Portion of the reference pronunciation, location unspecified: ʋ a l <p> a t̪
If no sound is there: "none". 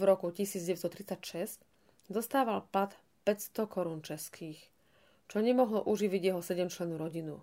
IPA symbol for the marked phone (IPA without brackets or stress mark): p